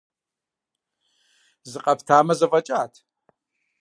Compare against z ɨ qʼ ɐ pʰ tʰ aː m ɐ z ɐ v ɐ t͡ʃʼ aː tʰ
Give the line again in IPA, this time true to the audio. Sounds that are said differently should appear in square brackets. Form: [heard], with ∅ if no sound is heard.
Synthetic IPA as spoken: z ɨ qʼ ɐ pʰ tʰ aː m ɐ z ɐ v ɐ t͡ʃʼ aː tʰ